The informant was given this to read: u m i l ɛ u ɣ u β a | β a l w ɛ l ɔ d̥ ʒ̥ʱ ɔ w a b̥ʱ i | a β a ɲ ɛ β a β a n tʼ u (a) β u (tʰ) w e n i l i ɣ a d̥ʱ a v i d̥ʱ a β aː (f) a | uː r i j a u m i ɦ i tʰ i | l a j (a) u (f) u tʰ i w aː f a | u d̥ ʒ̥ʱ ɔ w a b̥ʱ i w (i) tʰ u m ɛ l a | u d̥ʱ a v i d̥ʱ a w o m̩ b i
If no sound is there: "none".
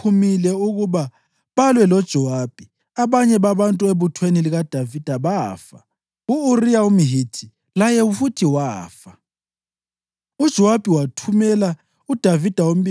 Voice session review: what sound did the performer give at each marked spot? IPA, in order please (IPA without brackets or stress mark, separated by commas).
e, tʰ, f, ɛ, f, a